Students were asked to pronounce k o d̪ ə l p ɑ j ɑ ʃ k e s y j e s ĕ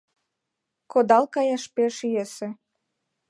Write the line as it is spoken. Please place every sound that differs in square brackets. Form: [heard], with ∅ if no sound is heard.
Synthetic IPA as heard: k o d̪ [ɑ] l [k] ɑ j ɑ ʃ [p] e [ʃ] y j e s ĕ